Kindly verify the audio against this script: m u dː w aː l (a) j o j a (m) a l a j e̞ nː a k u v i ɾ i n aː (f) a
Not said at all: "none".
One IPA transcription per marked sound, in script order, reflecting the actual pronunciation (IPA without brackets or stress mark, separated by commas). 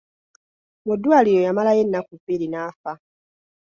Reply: i, m, f